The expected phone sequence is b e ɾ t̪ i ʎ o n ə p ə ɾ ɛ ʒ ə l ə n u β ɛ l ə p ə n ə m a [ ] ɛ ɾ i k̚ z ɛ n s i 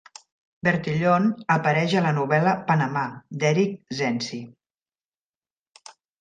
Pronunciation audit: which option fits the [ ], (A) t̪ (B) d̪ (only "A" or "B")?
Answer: B